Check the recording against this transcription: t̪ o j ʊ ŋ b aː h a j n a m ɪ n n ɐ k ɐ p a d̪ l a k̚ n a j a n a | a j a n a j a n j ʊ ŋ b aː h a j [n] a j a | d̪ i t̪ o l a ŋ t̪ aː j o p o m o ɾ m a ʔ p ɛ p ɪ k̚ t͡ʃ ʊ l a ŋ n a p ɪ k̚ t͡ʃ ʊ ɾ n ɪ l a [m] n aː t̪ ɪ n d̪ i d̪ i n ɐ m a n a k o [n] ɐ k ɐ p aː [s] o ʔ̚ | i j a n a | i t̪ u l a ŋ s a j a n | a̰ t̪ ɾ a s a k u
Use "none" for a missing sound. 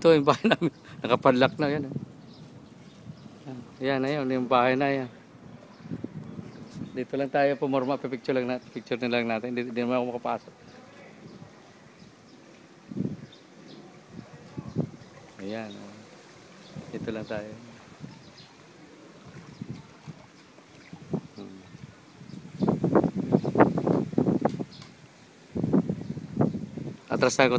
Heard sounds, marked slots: n, ŋ, m, s

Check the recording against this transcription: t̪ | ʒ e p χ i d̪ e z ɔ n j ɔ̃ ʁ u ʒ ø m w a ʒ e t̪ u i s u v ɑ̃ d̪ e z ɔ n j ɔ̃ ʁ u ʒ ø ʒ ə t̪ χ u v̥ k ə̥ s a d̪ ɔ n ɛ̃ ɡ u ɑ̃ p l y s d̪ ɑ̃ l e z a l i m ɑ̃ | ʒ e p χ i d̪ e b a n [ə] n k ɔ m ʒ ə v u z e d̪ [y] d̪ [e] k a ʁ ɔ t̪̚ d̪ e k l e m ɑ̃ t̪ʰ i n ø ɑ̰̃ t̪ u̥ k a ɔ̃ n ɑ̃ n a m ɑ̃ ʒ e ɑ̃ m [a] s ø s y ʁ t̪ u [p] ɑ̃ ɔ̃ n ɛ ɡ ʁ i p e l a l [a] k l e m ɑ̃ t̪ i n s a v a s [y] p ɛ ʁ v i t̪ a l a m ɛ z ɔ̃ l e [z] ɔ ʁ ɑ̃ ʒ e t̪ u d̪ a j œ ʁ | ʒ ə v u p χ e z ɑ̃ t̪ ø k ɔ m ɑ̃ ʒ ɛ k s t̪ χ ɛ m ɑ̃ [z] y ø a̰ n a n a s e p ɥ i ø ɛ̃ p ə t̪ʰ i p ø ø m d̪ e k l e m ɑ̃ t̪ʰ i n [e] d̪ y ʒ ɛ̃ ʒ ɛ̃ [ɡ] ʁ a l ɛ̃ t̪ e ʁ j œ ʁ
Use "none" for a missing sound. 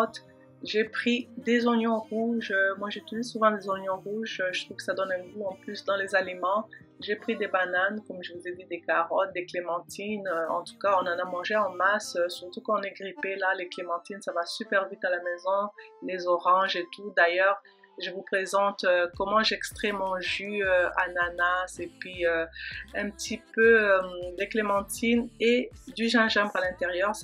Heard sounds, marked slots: a, i, e, a, k, e, y, z, ʒ, e, b

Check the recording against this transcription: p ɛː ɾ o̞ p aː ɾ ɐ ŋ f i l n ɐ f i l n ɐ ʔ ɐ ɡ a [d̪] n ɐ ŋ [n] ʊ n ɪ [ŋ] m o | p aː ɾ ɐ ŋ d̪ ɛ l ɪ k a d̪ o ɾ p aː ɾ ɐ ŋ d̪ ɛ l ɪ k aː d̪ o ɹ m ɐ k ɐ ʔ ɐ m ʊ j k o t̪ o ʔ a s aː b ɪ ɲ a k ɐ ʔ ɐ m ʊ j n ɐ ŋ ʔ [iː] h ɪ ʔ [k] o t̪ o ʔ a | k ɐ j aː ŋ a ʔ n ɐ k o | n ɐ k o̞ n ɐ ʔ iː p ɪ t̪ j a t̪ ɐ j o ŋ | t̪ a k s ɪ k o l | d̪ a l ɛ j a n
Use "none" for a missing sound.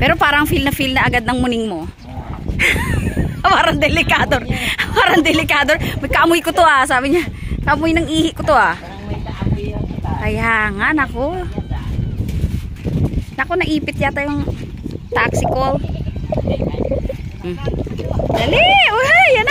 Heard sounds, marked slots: d̪, m, ŋ, iː, k

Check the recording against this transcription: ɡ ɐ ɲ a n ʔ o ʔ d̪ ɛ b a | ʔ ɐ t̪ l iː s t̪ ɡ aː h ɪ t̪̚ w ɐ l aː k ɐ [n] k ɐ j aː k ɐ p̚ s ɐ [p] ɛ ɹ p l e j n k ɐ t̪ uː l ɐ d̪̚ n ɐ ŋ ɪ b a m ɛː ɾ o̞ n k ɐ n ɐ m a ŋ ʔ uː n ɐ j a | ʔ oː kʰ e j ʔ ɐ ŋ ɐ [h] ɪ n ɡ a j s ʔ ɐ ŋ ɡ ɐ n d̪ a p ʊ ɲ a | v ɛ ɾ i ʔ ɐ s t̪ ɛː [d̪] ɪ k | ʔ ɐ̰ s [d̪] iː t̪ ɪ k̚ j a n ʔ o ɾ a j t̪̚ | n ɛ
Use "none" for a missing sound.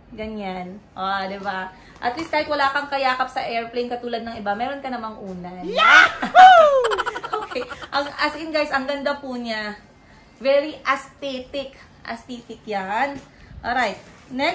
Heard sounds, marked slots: ŋ, ʔ, s, t̪, t̪

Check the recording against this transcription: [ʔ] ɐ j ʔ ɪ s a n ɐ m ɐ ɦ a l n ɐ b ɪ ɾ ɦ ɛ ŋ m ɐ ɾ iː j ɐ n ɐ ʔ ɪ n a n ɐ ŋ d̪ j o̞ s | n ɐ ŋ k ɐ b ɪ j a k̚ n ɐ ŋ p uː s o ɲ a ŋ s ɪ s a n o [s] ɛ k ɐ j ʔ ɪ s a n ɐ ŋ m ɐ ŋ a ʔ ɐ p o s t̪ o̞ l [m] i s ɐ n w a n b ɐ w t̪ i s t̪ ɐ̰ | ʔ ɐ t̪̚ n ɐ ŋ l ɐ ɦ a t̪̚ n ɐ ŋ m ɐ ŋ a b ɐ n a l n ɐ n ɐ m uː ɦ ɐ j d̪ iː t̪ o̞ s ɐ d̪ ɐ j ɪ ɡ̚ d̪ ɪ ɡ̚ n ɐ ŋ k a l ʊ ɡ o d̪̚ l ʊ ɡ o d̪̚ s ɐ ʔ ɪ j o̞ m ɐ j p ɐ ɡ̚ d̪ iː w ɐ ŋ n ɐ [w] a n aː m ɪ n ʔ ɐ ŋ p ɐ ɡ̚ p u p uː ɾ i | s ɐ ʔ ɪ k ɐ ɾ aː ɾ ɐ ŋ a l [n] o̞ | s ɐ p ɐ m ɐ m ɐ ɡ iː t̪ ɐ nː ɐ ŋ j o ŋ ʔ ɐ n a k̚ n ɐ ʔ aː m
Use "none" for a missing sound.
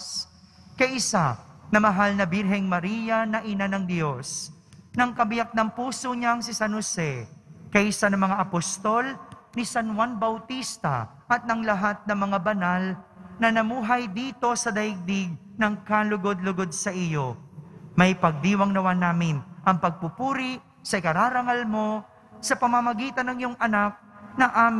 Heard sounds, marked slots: k, s, n, w, m

